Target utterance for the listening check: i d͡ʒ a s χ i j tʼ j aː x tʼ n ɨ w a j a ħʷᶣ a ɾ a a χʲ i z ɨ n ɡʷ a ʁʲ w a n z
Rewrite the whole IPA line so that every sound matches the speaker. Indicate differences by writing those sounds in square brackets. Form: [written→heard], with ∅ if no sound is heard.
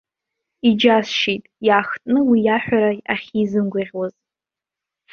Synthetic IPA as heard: i d͡ʒ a s [χ→ʃ] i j tʼ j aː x tʼ n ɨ w [a→i] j a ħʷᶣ a ɾ a a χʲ i z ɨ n ɡʷ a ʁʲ w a [n→∅] z